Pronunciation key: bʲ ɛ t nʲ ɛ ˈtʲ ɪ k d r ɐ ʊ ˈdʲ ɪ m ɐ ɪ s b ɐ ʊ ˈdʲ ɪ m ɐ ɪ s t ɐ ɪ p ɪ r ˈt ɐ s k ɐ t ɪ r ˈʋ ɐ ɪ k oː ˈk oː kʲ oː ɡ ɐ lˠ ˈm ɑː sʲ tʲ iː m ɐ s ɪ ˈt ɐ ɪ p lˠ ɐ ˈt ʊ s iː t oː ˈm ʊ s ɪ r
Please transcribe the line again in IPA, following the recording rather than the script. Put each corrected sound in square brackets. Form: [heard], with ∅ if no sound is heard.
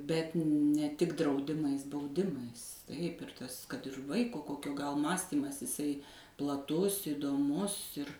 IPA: bʲ ɛ t nʲ ɛ ˈtʲ ɪ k d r ɐ ʊ ˈdʲ ɪ m ɐ ɪ s b ɐ ʊ ˈdʲ ɪ m ɐ ɪ s t ɐ ɪ p ɪ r ˈt ɐ s k ɐ t ɪ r ˈʋ ɐ ɪ k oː ˈk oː kʲ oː ɡ ɐ lˠ ˈm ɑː sʲ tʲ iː m ɐ s ɪ [ˈs] ɐ ɪ p lˠ ɐ ˈt ʊ s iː [d] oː ˈm ʊ s ɪ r